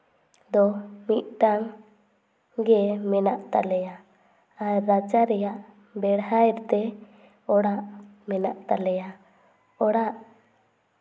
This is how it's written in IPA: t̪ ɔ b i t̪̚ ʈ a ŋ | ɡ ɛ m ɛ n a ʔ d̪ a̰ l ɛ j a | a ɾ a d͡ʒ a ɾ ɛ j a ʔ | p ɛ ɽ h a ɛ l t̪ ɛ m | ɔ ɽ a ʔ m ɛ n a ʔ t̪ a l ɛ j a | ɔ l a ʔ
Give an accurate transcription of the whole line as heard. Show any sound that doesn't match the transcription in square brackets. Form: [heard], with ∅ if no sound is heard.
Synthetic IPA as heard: [d̪] ɔ [m] i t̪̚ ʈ a ŋ | ɡ ɛ m ɛ n a ʔ [t̪] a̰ l ɛ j a | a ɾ a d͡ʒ a ɾ ɛ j a ʔ | [b] ɛ ɽ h a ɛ [ɾ] t̪ ɛ [∅] | ɔ ɽ a ʔ m ɛ n a ʔ t̪ a l ɛ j a | ɔ [ɽ] a ʔ